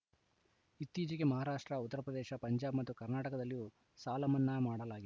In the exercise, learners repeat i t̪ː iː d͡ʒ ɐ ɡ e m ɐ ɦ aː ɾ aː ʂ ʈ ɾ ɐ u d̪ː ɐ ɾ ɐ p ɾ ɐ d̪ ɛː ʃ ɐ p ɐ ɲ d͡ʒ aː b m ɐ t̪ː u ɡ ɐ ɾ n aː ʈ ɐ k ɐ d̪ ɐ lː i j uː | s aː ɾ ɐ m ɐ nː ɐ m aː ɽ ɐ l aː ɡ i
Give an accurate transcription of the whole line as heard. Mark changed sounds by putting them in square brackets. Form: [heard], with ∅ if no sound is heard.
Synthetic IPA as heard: i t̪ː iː d͡ʒ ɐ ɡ e m ɐ ɦ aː ɾ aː ʂ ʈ ɾ ɐ u [t̪ː] ɐ ɾ ɐ p ɾ ɐ d̪ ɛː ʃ ɐ p ɐ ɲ d͡ʒ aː b m ɐ t̪ː u [k] ɐ ɾ n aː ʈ ɐ k ɐ d̪ ɐ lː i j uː | s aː [l] ɐ m ɐ nː ɐ m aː ɽ ɐ l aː ɡ i

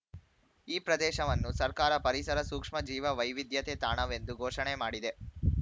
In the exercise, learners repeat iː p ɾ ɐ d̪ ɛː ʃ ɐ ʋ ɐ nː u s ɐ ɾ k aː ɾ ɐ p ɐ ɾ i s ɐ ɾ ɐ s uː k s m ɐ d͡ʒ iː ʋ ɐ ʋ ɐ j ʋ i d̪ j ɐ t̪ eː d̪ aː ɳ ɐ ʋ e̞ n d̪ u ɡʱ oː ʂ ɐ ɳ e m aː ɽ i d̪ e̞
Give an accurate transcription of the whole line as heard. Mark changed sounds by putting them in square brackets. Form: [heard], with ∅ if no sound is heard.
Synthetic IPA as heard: iː p ɾ ɐ d̪ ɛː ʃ ɐ ʋ ɐ nː u s ɐ ɾ k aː ɾ ɐ p ɐ ɾ i s ɐ ɾ ɐ s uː k [ʂ] m ɐ d͡ʒ iː ʋ ɐ ʋ ɐ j ʋ i d̪ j ɐ t̪ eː [t̪] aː ɳ ɐ ʋ e̞ n d̪ u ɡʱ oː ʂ ɐ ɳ e m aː ɽ i d̪ e̞

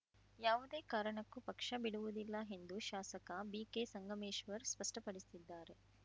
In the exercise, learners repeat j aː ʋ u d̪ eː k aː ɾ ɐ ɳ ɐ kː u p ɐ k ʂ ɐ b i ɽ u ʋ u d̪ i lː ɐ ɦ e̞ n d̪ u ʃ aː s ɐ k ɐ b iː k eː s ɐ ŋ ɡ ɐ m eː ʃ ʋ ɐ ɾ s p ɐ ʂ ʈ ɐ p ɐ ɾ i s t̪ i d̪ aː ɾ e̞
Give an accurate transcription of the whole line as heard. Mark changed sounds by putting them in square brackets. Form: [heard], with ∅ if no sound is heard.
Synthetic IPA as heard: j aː ʋ u d̪ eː k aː ɾ ɐ ɳ ɐ kː u p ɐ k ʂ ɐ b i ɽ u ʋ u d̪ i lː ɐ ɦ e̞ n d̪ u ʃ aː s ɐ k ɐ b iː k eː s ɐ ŋ ɡ ɐ m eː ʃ ʋ ɐ ɾ s p ɐ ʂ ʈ ɐ p ɐ [ɽ] i s t̪ i [d̪ː] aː ɾ e̞

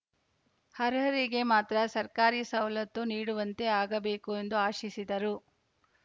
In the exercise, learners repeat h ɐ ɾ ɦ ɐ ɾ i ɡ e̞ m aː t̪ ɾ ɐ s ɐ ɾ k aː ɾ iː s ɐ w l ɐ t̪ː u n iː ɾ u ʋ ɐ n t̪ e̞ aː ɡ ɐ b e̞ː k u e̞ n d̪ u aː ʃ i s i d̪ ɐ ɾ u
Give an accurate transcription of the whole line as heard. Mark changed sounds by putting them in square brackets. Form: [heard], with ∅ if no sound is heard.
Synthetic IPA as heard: h ɐ ɾ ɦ ɐ ɾ i ɡ e̞ m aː t̪ ɾ ɐ s ɐ ɾ k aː ɾ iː s ɐ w l ɐ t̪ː u n iː [ɽ] u ʋ ɐ n t̪ e̞ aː ɡ ɐ b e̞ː k u e̞ n d̪ u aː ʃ i s i d̪ ɐ ɾ u

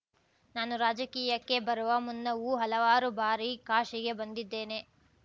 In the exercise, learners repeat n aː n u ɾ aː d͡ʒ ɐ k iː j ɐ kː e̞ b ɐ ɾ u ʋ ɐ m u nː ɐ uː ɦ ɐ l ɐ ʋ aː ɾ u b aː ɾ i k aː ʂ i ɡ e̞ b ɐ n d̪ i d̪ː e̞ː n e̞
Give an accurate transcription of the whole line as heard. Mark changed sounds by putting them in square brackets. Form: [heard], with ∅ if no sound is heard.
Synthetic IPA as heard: n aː n u ɾ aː d͡ʒ ɐ k iː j ɐ kː e̞ b ɐ ɾ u ʋ ɐ m u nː ɐ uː ɦ ɐ l ɐ ʋ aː ɾ u b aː ɾ i k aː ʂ i ɡ e̞ b ɐ n d̪ i d̪ː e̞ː n e̞

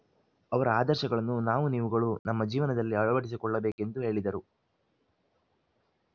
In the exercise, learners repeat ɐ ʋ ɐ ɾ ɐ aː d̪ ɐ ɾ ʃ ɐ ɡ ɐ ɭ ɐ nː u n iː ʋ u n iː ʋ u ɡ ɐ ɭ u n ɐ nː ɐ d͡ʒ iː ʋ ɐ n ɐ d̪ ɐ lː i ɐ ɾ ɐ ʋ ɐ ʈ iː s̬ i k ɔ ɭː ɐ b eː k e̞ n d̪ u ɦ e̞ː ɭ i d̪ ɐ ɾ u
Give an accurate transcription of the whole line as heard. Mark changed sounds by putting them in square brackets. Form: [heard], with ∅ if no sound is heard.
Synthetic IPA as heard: ɐ ʋ ɐ ɾ ɐ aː d̪ ɐ ɾ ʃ ɐ ɡ ɐ ɭ ɐ nː u n [aː] ʋ u n iː ʋ u ɡ ɐ ɭ u n ɐ [mː] ɐ d͡ʒ iː ʋ ɐ n ɐ d̪ ɐ lː i ɐ [ɭ] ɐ ʋ ɐ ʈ [i] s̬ i k ɔ ɭː ɐ b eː k e̞ n d̪ u ɦ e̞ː ɭ i d̪ ɐ ɾ u

